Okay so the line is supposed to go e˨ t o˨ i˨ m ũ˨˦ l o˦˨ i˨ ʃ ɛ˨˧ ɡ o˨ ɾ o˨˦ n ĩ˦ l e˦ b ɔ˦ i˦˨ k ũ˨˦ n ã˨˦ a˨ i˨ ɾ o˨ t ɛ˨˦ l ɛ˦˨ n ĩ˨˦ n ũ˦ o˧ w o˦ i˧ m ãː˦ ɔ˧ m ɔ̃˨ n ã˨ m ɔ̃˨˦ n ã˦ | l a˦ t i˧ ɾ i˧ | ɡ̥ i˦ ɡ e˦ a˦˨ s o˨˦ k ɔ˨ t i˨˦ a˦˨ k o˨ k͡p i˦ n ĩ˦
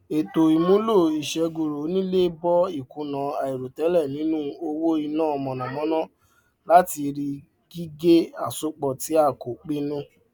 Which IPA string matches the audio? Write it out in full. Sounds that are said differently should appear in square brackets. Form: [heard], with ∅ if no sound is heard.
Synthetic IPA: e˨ t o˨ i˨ m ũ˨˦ l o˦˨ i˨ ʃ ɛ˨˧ ɡ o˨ ɾ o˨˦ n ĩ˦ l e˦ b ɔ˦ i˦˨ k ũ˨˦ n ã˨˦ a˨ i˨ ɾ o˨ t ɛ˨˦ l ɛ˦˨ n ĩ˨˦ n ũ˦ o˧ w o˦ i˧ [n] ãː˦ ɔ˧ m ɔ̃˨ n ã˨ m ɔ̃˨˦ n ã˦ | l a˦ t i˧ ɾ i˧ | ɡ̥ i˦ ɡ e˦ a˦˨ s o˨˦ [k͡p] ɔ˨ t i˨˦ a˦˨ k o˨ k͡p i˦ n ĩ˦